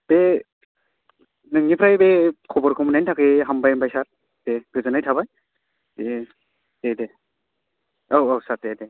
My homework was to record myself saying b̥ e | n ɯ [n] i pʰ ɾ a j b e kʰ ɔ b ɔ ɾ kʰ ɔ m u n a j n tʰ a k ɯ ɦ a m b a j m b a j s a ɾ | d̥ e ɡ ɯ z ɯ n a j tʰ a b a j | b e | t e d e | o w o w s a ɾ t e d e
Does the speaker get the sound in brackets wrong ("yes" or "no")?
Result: yes